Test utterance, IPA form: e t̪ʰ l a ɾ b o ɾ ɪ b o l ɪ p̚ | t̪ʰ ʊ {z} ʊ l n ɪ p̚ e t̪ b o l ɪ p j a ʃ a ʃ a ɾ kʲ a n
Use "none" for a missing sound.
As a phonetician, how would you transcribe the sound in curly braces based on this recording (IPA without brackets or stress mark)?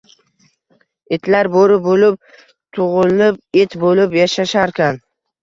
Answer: ʁ